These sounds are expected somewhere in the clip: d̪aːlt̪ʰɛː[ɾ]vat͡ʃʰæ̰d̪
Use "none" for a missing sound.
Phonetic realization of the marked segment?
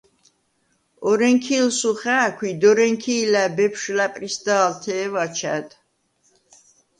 none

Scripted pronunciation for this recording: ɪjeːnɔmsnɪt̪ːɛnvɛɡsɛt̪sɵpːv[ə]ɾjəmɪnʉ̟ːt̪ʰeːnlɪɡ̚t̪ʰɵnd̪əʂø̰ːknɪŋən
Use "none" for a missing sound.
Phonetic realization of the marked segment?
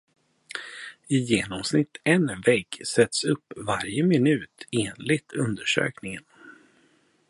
a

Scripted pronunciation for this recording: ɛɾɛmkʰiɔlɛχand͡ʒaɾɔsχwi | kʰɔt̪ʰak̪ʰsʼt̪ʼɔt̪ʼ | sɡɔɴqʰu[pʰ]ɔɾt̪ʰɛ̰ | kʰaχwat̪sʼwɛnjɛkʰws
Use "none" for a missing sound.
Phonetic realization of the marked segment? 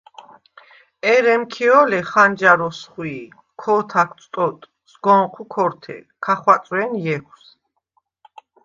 kʰ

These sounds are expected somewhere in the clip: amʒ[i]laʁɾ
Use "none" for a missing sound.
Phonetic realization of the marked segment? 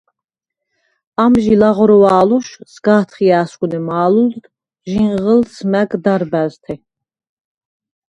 i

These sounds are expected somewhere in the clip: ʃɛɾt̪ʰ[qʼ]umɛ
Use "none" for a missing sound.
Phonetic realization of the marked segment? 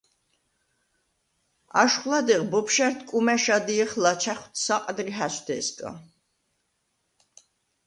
kʼ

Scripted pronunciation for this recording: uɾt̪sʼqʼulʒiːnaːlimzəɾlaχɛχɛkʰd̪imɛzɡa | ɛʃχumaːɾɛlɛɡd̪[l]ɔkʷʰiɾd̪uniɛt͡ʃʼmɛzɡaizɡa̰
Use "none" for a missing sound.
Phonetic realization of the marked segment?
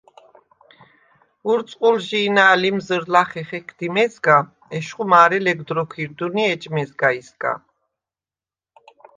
ɾ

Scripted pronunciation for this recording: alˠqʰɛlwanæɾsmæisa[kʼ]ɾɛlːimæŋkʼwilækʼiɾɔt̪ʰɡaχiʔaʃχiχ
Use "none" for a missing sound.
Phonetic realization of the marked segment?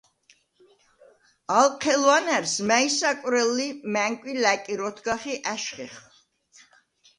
kʼ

